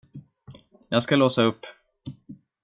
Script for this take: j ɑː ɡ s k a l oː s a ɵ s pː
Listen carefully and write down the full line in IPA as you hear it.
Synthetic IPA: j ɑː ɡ s k a l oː s a ɵ pː